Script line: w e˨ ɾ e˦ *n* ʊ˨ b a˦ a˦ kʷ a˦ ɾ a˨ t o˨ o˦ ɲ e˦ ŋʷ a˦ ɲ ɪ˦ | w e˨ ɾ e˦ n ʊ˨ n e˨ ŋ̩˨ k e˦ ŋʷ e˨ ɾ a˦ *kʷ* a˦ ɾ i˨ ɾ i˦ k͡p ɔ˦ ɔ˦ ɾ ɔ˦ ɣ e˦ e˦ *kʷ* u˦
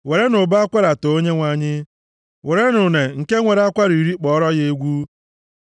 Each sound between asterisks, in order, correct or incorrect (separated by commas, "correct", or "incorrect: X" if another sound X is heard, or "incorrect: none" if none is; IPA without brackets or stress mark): correct, correct, incorrect: ɡʷ